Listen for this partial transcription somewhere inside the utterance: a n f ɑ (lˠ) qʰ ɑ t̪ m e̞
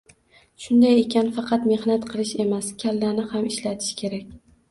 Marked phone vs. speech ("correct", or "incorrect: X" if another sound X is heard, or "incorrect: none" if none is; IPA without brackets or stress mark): incorrect: none